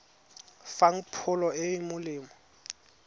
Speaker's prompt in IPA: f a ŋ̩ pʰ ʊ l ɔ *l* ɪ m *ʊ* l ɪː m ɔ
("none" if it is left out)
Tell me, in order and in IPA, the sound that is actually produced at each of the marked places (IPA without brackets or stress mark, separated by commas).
none, ʊ